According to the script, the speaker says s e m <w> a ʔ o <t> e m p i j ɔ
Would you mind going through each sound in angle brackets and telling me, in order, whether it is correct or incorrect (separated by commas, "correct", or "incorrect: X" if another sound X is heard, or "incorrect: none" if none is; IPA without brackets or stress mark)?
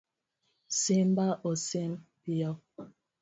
incorrect: b, incorrect: s